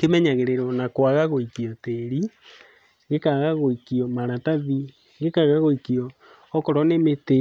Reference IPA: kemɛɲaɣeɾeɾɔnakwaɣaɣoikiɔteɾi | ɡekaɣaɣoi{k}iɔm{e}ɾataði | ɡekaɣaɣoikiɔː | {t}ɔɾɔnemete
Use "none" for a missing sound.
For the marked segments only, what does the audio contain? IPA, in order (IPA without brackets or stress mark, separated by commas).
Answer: k, a, k